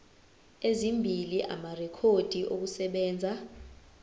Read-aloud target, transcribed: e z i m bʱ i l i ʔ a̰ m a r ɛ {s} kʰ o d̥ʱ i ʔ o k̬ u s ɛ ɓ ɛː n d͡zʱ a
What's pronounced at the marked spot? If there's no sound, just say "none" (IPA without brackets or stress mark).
none